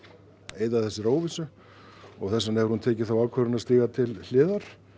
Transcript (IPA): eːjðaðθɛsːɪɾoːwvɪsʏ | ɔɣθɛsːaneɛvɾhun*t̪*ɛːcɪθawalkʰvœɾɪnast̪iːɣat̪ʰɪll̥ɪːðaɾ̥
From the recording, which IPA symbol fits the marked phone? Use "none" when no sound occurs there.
t̪ʰ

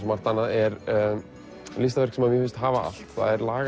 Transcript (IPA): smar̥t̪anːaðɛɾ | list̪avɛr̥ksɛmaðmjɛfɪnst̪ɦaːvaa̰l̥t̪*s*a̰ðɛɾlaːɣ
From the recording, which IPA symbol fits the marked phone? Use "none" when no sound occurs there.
θ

